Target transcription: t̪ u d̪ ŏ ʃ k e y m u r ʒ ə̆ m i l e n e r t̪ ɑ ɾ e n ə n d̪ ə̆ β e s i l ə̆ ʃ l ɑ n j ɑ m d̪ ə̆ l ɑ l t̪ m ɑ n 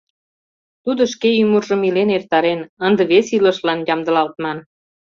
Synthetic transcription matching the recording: t̪ u d̪ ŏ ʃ k e y m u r ʒ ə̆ m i l e n e r t̪ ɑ ɾ e n ə n d̪ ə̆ β e s i l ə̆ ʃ l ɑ n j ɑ m d̪ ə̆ l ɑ l t̪ m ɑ n

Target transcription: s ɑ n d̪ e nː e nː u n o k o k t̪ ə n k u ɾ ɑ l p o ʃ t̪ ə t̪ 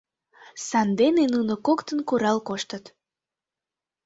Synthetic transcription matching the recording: s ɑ n d̪ e n e n u n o k o k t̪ ə n k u ɾ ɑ l k o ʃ t̪ ə t̪

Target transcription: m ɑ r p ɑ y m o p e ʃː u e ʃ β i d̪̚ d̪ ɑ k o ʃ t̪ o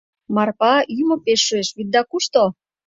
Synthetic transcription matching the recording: m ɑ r p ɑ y m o p e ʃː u e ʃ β i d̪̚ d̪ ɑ k u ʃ t̪ o

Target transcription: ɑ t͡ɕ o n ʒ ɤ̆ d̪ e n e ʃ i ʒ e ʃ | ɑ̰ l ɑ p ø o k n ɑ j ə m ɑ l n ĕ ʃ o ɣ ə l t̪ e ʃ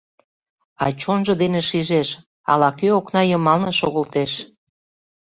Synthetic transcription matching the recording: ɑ t͡ɕ o n ʒ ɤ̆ d̪ e n e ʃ i ʒ e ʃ | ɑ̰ l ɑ k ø o k n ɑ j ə m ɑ l n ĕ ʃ o ɣ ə l t̪ e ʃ

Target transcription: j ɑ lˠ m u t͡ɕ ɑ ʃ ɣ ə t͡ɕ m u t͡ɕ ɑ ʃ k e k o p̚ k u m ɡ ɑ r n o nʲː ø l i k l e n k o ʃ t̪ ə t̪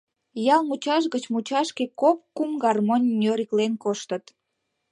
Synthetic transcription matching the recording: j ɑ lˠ m u t͡ɕ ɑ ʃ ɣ ə t͡ɕ m u t͡ɕ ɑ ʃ k e k o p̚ k u m ɡ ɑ r m o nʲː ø ɾ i k l e n k o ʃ t̪ ə t̪

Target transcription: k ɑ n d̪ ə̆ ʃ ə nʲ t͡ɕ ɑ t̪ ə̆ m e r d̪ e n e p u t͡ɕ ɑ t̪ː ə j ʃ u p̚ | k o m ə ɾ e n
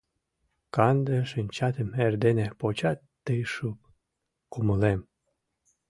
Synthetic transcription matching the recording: k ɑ n d̪ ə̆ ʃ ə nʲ t͡ɕ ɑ t̪ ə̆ m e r d̪ e n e p o t͡ɕ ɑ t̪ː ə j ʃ u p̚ | k u m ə l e m

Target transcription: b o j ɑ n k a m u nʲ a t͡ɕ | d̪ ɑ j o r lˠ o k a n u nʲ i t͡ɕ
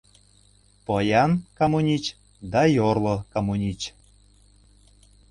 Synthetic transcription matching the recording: p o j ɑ n k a m u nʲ i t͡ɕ | d̪ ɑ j o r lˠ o k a m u nʲ i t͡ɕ

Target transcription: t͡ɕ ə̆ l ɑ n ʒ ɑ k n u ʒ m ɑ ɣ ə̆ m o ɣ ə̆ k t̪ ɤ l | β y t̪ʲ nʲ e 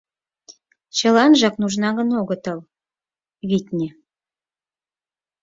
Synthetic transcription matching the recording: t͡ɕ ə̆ l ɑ n ʒ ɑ k n u ʒ n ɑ ɣ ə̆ n o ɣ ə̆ t̪ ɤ l | β i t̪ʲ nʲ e

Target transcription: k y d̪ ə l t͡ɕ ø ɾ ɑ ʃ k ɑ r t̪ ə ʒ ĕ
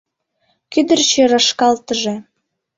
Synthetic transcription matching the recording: k y d̪ ə r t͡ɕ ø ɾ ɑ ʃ k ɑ l t̪ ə ʒ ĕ

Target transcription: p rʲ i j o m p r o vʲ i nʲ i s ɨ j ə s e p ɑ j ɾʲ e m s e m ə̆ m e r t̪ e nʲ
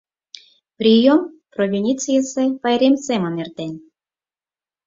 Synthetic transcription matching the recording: p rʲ i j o m p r o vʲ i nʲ i t͡s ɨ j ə s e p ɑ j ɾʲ e m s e m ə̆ n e r t̪ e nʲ

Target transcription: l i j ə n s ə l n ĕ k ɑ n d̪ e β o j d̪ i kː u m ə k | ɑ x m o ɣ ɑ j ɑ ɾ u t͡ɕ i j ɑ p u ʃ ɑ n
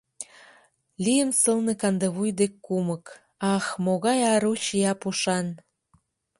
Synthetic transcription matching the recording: l i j ə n s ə l n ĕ k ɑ n d̪ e β u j d̪ e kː u m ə k | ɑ x m o ɣ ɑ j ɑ ɾ u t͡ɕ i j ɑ p u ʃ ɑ n

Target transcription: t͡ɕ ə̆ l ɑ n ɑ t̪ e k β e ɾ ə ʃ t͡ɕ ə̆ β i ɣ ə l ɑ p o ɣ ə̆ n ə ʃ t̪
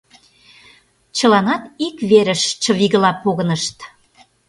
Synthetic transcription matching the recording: t͡ɕ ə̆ l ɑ n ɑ t̪ i k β e ɾ ə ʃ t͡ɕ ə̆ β i ɣ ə l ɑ p o ɣ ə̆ n ə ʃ t̪

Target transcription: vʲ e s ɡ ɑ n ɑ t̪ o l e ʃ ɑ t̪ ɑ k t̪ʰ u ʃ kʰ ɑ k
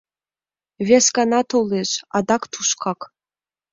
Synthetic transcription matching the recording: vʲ e s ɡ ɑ n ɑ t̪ o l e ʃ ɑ d̪ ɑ k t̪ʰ u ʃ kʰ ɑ k

